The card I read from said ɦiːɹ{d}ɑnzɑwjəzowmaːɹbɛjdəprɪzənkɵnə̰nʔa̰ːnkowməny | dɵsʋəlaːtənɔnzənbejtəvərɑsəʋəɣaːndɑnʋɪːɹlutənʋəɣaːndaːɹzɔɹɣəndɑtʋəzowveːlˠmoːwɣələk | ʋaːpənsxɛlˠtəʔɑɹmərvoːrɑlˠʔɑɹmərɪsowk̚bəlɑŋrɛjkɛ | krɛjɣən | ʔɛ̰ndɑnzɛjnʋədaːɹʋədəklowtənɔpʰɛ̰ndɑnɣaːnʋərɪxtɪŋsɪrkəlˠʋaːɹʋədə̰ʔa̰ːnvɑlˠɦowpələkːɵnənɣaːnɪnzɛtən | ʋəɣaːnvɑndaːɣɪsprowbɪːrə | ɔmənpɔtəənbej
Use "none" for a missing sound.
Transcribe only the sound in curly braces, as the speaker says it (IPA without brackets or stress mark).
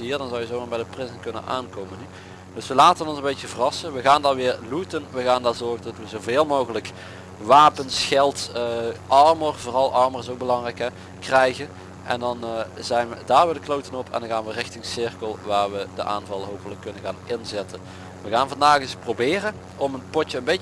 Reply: d